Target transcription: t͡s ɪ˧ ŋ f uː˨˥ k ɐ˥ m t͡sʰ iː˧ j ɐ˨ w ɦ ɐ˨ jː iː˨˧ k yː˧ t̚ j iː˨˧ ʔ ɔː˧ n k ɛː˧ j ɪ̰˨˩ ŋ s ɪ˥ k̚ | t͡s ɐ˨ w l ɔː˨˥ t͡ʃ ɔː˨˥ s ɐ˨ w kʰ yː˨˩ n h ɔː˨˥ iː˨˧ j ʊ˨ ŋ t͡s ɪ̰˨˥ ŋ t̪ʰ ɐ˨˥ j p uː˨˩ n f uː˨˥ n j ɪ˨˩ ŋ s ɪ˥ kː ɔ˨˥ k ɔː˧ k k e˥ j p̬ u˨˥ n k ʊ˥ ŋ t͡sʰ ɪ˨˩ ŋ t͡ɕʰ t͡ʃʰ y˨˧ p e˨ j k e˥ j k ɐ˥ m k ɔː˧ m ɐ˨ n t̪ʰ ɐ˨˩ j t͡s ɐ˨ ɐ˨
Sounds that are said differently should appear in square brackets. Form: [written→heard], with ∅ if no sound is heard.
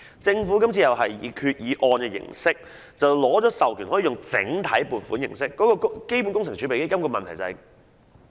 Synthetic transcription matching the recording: t͡s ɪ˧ ŋ f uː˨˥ k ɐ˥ m t͡sʰ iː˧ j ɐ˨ w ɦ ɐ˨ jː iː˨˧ [k→kʰ] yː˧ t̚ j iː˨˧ ʔ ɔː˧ n k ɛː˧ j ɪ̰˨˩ ŋ s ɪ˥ k̚ | t͡s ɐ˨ w l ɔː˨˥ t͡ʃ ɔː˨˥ s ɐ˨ w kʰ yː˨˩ n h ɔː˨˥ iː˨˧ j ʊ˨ ŋ t͡s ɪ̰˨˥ ŋ t̪ʰ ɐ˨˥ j p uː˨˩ n f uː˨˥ n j ɪ˨˩ ŋ s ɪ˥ kː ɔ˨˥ k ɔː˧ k k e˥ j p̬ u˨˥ n k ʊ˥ ŋ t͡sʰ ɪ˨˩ ŋ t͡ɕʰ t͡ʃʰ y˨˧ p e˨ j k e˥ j k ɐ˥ m k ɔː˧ m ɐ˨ n t̪ʰ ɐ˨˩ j t͡s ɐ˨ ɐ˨